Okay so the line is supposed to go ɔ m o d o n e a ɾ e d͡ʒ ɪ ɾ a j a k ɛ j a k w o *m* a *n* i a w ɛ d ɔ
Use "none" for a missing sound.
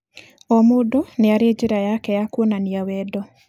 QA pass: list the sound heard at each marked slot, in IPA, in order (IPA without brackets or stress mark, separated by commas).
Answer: n, n